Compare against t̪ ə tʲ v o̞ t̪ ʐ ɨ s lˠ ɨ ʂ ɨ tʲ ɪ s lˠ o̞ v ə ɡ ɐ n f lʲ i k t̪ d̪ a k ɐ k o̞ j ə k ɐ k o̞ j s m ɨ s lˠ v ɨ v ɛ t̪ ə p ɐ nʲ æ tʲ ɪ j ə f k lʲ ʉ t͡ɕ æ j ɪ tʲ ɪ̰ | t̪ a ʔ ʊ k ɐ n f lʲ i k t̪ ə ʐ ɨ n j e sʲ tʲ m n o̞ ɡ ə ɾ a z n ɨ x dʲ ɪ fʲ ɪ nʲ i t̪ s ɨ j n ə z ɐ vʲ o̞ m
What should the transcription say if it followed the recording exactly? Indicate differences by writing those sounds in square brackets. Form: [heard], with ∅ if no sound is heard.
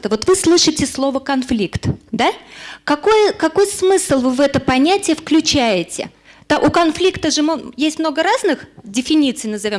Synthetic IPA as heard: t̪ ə [∅] v o̞ t̪ [v] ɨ s lˠ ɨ ʂ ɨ tʲ ɪ s lˠ o̞ v ə [k] ɐ n f lʲ i k t̪ d̪ a k ɐ k o̞ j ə k ɐ k o̞ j s m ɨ s lˠ v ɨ v ɛ t̪ ə p ɐ nʲ æ tʲ ɪ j ə f k lʲ ʉ t͡ɕ æ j ɪ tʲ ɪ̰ | t̪ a ʔ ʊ k ɐ n f lʲ i k t̪ ə ʐ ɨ [m] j e sʲ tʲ m n o̞ ɡ ə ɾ a z n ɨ x dʲ ɪ fʲ ɪ nʲ i t̪ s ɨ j n ə z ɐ vʲ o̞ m